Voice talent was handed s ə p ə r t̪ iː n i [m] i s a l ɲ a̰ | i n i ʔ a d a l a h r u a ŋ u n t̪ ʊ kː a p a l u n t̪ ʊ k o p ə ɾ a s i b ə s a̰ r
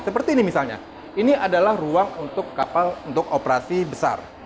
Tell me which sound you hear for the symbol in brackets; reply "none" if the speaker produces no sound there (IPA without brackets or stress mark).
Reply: m